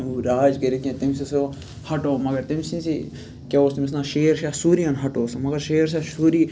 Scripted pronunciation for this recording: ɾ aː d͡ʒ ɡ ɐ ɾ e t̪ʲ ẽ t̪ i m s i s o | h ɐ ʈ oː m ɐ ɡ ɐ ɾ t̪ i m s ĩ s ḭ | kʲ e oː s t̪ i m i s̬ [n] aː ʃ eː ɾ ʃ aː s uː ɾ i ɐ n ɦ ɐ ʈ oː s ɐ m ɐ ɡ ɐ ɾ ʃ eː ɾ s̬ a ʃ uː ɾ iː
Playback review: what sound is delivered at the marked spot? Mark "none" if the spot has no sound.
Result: n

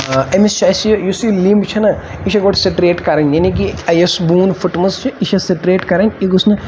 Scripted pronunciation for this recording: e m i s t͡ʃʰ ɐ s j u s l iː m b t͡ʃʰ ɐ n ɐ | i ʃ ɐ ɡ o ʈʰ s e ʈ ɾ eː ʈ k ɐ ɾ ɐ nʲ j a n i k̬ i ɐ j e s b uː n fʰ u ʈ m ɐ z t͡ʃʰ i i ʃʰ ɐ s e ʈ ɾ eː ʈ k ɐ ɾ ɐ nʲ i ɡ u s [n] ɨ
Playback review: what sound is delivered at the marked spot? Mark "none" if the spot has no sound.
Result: n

